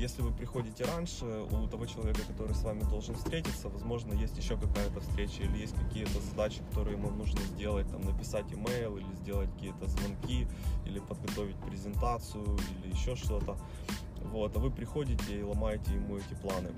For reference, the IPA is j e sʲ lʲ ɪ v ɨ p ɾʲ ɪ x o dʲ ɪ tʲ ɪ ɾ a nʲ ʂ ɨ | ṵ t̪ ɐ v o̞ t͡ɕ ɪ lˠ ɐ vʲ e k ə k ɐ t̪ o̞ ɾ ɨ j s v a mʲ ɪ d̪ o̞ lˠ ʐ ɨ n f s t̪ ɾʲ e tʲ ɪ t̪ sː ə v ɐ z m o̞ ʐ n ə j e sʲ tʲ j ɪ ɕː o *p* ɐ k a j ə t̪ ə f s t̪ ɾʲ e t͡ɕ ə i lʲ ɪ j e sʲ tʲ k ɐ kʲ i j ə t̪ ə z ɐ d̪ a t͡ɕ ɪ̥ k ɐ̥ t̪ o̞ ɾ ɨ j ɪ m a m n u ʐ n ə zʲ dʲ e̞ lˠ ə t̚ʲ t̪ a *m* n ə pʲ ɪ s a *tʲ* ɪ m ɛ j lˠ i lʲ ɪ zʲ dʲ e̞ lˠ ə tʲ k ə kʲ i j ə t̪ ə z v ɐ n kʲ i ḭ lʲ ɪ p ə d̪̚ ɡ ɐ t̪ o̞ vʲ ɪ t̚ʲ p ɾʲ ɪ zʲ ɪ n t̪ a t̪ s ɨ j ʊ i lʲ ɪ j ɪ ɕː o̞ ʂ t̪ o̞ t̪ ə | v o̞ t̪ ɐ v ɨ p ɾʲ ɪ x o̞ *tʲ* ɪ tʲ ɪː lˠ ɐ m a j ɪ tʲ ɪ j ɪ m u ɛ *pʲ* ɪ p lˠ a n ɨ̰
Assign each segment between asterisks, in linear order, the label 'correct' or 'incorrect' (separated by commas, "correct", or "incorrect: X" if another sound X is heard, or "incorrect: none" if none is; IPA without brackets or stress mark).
incorrect: k, correct, correct, incorrect: dʲ, incorrect: tʲ